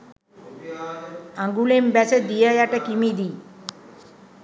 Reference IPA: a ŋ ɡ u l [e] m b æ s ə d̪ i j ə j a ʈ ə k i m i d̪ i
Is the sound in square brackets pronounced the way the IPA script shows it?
yes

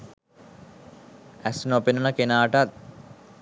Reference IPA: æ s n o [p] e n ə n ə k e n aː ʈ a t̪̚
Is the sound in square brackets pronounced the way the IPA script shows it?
yes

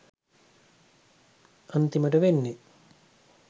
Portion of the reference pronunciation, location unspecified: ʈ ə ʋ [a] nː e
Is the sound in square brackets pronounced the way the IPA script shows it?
no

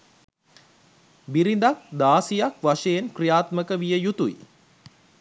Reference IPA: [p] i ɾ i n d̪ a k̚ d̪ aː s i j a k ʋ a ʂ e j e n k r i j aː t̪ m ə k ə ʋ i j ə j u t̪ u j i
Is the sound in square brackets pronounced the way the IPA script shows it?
no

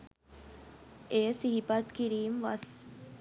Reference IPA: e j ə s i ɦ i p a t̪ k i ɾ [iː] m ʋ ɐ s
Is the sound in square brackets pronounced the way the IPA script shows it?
yes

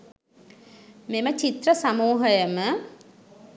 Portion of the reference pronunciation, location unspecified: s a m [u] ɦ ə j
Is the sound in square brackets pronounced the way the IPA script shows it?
no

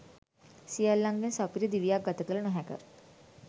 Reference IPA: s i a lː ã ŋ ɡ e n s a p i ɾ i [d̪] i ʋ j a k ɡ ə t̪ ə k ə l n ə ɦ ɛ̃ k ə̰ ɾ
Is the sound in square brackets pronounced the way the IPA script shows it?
yes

